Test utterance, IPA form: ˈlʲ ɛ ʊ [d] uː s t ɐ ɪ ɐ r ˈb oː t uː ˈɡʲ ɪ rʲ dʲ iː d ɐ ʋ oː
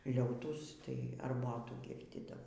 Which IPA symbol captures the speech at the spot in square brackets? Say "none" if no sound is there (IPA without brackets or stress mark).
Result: t